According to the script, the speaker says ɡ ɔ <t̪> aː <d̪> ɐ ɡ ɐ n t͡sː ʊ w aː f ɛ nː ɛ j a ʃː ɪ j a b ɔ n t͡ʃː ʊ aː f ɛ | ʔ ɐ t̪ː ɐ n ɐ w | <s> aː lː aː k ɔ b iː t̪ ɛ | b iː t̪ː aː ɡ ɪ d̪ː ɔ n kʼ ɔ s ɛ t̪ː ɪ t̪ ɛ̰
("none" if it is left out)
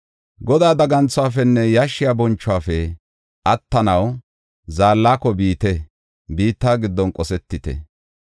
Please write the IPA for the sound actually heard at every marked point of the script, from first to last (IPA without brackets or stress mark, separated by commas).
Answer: d̪, d̪, z